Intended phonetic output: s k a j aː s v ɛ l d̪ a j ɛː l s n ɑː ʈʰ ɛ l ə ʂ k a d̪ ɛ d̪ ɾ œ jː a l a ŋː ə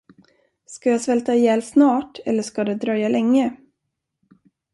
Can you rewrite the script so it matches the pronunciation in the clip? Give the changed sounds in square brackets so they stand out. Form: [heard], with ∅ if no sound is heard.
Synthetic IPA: s k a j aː s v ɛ l [t̪] a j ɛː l s n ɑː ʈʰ ɛ [lː] ə ʂ k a d̪ ɛ d̪ ɾ œ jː a l [ɛ] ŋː ə